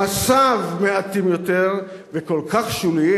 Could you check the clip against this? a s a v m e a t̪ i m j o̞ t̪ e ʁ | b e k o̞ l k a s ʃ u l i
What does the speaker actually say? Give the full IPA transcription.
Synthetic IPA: a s a v m e a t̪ i m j o̞ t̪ e ʁ | v e k o̞ l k a χ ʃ u l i

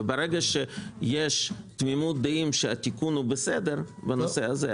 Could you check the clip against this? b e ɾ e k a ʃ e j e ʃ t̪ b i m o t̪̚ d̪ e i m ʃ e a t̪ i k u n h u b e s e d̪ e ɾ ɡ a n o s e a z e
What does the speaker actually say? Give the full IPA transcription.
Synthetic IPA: b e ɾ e ɡ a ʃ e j e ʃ t̪ m i m u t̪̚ d̪ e i m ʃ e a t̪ i k u n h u b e s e d̪ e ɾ b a n o s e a z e

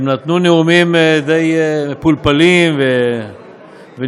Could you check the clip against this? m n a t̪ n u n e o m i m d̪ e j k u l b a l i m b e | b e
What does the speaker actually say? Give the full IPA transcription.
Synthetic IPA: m n a t̪ n u n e u m i m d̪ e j p u l p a l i m v e | v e

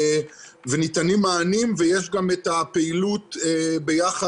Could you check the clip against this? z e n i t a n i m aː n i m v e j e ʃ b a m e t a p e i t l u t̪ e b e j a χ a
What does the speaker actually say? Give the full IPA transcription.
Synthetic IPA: v e n i t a n i m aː n i m v e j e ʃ ɡ a m e t a p e i l u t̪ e b e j a χ a

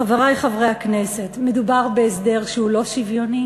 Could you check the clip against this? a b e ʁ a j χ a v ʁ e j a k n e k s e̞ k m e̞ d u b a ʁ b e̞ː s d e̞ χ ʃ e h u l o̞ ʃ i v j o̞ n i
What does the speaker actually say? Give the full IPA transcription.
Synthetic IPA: a v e ʁ a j χ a v ʁ e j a k n e s e̞ t m e̞ d u b a ʁ b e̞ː s d e̞ ʁ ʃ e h u l o̞ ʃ i v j o̞ n i

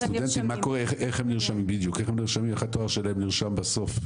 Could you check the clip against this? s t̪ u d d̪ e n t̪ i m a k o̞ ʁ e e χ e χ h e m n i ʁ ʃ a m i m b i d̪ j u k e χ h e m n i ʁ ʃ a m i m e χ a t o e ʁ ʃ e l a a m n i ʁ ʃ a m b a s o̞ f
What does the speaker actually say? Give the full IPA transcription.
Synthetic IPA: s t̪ u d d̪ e n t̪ i m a k o̞ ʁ e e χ e χ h e m n i ʁ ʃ a m i m b i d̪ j u k e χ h e m n i ʁ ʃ a m i m e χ a t o a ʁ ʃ e l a e m n i ʁ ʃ a m b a s o̞ f

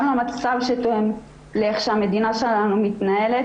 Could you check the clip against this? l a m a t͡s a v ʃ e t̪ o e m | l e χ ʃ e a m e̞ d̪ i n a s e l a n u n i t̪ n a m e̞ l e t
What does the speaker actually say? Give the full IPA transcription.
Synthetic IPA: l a m a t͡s a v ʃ e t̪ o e m | l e χ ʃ e a m e̞ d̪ i n a ʃ e l a n u m i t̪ n a e̞ l e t

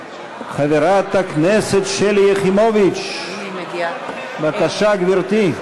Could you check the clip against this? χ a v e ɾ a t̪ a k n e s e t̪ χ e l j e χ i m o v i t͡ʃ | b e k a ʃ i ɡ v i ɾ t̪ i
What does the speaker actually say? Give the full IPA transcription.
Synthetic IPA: χ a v e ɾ a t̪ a k n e s e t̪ ʃ e l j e χ i m o v i t͡ʃ | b a k a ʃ a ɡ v i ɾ t̪ i

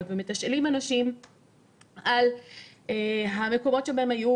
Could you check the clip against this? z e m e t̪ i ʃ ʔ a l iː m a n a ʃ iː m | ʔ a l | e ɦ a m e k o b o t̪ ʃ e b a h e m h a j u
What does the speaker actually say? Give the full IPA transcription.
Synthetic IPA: v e m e t̪ a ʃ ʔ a l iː m a n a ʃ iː m | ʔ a l | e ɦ a m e k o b o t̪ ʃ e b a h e m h a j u

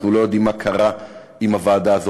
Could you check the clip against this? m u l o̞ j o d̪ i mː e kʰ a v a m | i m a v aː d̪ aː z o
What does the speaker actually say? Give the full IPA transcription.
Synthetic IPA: n u l o̞ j o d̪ i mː a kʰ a ʁ a | i m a v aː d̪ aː z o

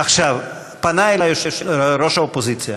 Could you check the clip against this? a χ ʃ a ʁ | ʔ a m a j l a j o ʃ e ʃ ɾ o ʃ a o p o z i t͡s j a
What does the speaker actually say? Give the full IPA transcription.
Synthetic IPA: a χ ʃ a v | p a n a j l a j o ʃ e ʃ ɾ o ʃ a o p o z i t͡s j a

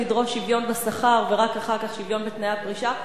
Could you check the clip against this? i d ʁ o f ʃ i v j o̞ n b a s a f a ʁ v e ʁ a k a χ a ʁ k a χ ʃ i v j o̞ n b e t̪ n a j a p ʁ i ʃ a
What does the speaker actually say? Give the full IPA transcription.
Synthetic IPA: i d ʁ o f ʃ i v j o̞ n b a s a χ a ʁ v e ʁ a k a χ a ʁ k a χ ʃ i v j o̞ n b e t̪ n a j a p ʁ i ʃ a

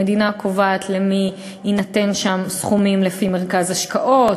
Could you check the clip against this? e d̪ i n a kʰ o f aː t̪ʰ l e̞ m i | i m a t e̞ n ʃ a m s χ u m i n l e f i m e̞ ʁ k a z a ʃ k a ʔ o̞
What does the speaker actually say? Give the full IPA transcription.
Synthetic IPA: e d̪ i n a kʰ o v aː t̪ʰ l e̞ m i | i n a t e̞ n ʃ a m s χ u m i m l e f i m e̞ ʁ k a z a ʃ k a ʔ o̞

